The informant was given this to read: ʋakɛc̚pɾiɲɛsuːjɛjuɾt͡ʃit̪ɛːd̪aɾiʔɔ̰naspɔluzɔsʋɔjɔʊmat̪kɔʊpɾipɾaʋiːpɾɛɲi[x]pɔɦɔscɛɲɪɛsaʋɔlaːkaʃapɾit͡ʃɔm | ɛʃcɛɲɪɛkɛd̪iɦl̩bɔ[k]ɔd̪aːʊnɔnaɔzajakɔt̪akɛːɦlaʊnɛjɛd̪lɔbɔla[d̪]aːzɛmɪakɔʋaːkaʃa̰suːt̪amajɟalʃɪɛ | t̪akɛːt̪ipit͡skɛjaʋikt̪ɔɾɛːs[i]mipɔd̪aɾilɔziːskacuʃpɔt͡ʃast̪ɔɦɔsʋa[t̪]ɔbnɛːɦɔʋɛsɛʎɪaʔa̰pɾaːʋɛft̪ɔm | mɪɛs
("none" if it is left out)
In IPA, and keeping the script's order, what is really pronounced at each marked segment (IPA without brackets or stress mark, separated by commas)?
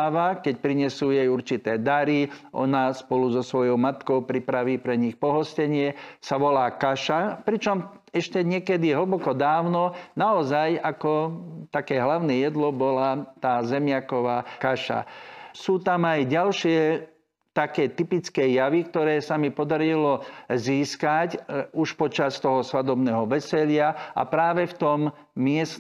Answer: x, k, t̪, a, d̪